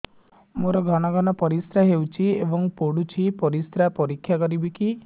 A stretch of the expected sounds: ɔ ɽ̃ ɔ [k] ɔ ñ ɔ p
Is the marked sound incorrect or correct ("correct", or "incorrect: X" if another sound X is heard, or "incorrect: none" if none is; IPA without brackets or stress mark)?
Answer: incorrect: ɡ